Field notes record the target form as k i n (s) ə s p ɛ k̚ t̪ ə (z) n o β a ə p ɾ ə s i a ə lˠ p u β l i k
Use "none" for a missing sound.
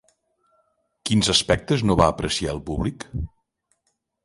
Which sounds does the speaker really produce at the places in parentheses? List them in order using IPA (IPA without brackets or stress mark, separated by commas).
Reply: z, z